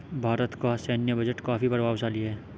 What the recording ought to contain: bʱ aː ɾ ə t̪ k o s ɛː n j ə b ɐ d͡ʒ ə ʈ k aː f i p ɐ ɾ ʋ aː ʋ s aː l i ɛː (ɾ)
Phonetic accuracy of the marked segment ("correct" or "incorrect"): incorrect